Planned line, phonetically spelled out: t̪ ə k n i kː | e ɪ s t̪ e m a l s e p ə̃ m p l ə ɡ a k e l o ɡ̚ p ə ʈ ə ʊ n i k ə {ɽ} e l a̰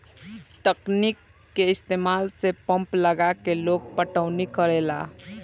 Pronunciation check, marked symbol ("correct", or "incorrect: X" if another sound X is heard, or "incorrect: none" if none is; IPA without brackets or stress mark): incorrect: ɾ